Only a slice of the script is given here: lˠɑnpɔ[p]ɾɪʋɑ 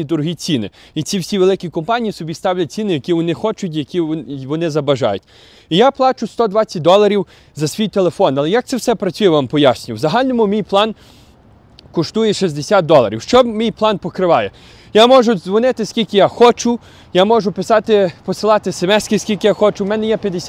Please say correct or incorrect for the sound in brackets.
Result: incorrect: k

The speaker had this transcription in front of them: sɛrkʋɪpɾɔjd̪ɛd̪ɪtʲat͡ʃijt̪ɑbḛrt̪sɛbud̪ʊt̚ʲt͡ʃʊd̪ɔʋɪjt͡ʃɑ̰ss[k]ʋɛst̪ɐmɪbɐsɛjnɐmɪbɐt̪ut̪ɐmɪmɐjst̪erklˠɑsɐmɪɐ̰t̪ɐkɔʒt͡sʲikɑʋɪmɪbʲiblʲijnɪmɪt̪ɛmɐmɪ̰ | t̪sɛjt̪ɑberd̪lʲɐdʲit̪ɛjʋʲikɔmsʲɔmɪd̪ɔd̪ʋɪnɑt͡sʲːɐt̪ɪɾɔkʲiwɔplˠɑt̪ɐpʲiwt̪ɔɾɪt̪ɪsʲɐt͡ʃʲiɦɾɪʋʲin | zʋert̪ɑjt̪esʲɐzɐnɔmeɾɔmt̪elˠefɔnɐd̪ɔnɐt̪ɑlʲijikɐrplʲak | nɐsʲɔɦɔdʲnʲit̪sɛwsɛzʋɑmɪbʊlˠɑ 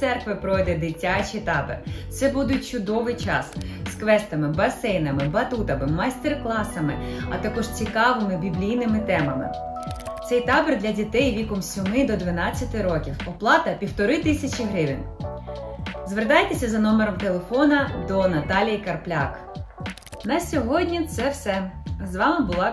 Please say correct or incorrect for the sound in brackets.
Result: correct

